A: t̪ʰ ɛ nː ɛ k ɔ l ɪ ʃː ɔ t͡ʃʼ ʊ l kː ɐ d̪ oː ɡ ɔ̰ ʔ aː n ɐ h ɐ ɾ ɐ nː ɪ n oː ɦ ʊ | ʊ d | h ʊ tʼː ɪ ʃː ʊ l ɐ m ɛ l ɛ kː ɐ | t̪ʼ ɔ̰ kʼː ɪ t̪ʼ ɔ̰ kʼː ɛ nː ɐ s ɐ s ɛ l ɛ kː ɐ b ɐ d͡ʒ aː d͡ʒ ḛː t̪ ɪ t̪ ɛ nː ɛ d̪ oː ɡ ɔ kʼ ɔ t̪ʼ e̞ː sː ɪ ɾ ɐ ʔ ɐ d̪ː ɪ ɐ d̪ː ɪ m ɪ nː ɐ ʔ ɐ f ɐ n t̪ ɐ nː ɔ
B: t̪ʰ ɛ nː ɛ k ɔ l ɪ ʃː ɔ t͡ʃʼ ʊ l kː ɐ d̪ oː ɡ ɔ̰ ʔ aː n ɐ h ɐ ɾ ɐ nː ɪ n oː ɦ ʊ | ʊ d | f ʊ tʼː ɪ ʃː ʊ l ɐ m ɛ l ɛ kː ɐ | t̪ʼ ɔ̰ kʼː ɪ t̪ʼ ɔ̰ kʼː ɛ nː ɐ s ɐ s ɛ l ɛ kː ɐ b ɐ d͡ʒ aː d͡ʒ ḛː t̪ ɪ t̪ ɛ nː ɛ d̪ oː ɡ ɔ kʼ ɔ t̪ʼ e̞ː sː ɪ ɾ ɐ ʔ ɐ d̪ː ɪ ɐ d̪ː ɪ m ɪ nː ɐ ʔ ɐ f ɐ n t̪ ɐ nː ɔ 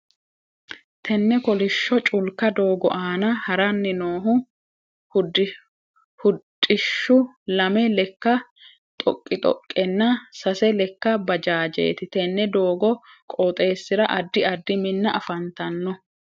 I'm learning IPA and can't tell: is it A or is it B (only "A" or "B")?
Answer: A